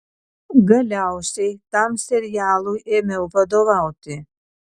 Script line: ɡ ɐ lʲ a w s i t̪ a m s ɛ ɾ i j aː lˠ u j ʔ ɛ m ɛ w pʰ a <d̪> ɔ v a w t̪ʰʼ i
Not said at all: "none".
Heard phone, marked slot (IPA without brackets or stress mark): d̪